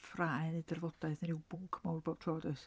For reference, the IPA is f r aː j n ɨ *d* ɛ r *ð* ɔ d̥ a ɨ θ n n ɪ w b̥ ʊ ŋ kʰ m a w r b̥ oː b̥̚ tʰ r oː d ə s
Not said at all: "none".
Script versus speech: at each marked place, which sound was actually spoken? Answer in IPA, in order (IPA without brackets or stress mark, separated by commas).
d, v